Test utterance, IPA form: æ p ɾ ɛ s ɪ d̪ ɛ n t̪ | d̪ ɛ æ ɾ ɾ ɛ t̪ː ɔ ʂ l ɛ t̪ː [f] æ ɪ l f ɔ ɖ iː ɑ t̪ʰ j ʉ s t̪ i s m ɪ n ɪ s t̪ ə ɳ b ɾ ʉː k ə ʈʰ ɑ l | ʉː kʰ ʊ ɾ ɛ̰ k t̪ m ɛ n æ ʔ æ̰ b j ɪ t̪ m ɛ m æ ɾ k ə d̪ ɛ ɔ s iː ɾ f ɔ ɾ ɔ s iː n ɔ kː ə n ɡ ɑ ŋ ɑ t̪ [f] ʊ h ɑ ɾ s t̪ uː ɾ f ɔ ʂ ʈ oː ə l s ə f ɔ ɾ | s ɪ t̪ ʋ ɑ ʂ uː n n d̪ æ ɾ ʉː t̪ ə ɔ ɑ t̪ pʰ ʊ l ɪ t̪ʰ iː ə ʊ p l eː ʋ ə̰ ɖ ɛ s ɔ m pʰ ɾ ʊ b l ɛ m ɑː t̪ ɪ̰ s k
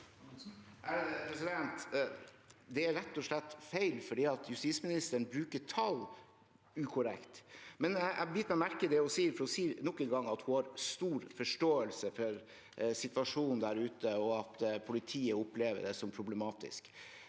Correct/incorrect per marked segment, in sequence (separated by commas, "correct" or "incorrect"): correct, incorrect